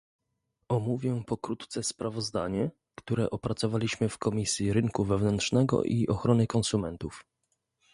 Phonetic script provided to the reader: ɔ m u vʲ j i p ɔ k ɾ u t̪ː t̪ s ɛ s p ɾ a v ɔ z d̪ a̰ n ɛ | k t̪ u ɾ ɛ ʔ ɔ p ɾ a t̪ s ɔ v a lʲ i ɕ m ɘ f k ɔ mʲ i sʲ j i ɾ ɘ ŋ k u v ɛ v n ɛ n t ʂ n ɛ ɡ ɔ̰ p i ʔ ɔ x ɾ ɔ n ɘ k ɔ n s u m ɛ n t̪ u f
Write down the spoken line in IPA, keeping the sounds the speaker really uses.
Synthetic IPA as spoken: ɔ m u vʲ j ɛ p ɔ k ɾ u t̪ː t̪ s ɛ s p ɾ a v ɔ z d̪ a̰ ɲ ɛ | k t̪ u ɾ ɛ ʔ ɔ p ɾ a t̪ s ɔ v a lʲ i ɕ m ɘ f k ɔ mʲ i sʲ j i ɾ ɘ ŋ k u v ɛ v n ɛ n t ʂ n ɛ ɡ ɔ̰ ʔ i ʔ ɔ x ɾ ɔ n ɘ k ɔ n s u m ɛ n t̪ u f